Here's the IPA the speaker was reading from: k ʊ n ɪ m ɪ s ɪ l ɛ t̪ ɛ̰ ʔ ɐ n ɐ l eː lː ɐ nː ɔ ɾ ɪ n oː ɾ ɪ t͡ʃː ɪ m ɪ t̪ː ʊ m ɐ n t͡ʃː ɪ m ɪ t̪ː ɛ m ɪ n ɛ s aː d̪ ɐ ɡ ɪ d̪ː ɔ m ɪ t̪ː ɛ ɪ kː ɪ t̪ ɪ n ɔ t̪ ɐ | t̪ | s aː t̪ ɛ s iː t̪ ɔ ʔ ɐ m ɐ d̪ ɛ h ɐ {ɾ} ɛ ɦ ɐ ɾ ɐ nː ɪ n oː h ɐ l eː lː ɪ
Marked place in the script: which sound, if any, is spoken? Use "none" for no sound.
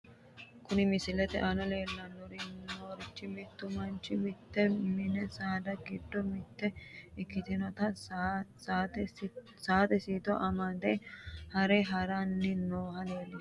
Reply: ɾ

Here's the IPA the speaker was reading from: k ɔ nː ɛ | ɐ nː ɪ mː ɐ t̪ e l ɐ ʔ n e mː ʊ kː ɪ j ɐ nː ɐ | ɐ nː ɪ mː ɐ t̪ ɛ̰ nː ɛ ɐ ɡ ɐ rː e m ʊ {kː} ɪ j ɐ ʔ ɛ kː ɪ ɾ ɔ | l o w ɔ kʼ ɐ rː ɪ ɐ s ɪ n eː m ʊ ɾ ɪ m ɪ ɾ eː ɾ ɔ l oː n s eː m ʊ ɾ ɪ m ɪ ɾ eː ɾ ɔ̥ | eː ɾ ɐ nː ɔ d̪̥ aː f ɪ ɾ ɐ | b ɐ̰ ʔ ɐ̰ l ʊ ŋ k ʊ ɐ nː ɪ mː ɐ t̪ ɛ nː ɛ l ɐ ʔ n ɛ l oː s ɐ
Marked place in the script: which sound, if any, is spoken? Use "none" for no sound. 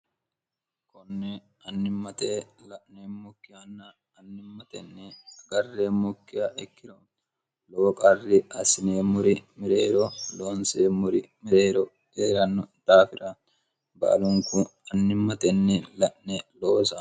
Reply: kː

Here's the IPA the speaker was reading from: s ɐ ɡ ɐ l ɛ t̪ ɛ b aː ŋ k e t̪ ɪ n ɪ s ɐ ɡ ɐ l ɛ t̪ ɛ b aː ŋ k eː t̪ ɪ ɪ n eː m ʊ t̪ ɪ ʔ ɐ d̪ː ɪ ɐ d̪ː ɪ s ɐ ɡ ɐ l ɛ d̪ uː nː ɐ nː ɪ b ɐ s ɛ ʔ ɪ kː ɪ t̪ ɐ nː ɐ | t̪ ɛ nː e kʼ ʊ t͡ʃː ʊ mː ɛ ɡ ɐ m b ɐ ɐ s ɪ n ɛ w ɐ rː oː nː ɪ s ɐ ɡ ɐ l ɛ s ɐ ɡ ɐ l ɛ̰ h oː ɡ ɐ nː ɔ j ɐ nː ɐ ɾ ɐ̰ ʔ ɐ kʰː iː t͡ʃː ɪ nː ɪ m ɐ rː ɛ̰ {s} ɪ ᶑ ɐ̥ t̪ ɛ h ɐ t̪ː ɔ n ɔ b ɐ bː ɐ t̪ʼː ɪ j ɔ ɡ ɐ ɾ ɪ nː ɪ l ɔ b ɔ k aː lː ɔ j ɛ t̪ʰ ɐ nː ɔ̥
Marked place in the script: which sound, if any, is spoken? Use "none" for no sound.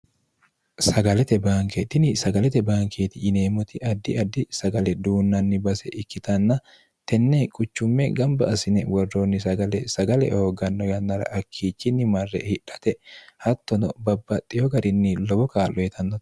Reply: h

